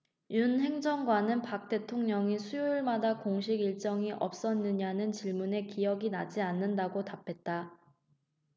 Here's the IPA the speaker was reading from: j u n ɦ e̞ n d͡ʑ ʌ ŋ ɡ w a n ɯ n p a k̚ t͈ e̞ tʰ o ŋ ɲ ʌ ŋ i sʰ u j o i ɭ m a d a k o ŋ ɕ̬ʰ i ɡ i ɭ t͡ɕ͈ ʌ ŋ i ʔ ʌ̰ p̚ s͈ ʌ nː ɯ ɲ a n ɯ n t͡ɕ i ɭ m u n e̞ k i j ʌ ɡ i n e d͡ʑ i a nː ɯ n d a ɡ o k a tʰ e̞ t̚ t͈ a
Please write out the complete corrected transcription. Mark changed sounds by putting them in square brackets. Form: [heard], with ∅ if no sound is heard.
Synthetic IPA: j u n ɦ e̞ [ŋ] d͡ʑ ʌ ŋ ɡ w a n ɯ n p a k̚ t͈ e̞ tʰ o ŋ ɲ ʌ ŋ i sʰ u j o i ɭ m a d a k o ŋ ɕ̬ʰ i ɡ i ɭ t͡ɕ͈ ʌ ŋ i ʔ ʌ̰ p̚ s͈ ʌ nː ɯ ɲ a n ɯ n t͡ɕ i ɭ m u n e̞ k i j ʌ ɡ i n [a] d͡ʑ i a nː ɯ n d a ɡ o [t] a [pʰ] e̞ t̚ t͈ a